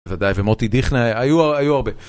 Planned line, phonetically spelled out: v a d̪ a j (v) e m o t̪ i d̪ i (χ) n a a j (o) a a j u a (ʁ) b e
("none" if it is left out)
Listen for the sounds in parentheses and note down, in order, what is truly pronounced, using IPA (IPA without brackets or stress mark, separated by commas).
v, χ, u, ʁ